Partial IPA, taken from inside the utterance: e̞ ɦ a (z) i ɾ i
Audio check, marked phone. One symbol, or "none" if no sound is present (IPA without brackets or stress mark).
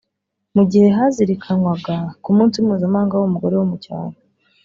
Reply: z